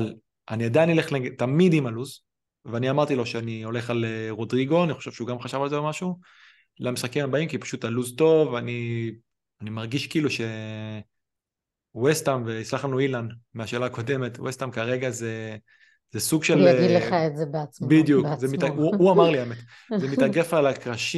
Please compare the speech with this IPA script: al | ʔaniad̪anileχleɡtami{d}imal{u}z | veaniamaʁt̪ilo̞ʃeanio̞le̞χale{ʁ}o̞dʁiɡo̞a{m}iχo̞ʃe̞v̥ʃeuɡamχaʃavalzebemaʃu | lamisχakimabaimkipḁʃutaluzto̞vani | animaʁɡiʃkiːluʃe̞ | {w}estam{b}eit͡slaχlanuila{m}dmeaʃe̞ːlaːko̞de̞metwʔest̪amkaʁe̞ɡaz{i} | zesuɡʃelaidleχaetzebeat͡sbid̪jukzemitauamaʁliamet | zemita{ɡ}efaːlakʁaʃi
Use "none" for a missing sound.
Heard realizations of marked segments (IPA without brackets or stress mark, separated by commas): d, u, ʁ, n, w, v, n, e, ɡ